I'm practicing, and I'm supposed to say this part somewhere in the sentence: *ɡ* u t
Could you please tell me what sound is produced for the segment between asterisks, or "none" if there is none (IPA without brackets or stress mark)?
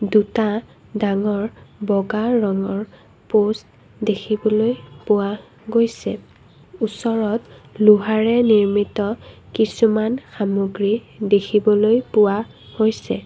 d